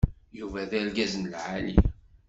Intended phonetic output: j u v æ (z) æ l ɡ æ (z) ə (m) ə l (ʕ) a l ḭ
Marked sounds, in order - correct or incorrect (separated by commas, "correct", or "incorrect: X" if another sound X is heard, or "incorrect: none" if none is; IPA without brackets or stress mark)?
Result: incorrect: ð, correct, incorrect: n, correct